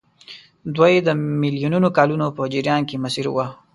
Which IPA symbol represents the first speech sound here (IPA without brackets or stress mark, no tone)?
d̪